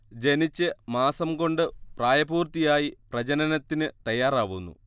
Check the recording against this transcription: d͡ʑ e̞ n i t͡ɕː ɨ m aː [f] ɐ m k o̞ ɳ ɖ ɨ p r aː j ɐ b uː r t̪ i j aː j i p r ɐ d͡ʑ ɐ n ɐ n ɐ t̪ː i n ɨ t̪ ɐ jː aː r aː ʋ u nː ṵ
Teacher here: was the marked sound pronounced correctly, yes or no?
no